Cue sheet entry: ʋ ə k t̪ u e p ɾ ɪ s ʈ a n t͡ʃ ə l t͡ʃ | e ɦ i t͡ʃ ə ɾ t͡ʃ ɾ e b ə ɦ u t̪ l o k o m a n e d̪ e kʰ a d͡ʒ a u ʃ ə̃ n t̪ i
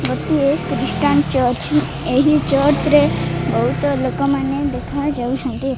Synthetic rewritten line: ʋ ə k t̪ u e k ɾ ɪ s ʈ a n t͡ʃ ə ɾ t͡ʃ | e ɦ i t͡ʃ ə ɾ t͡ʃ ɾ e b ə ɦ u t̪ l o k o m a n e d̪ e kʰ a d͡ʒ a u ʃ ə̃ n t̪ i